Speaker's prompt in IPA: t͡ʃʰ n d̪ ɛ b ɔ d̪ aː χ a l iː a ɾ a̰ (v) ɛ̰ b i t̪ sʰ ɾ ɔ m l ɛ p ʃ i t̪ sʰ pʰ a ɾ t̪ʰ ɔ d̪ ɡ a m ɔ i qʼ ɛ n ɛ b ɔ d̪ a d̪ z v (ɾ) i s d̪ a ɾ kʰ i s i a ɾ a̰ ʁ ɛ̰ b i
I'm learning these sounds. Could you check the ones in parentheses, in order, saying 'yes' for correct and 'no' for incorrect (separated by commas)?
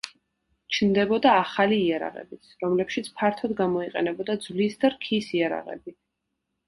no, no